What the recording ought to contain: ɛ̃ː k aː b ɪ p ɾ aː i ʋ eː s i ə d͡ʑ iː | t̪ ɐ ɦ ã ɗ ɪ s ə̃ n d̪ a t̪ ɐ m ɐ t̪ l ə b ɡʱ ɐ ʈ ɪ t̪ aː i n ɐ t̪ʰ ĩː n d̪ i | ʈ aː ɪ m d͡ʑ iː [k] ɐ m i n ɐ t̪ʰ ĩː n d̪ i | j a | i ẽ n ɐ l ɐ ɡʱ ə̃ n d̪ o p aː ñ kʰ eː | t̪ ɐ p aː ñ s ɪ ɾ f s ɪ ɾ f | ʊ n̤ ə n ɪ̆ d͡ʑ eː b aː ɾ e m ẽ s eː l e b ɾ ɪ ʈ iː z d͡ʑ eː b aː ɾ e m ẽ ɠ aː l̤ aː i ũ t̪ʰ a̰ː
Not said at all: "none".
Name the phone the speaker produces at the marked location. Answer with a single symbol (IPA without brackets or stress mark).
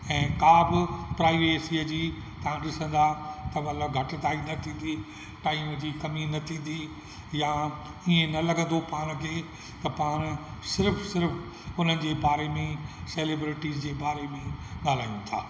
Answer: k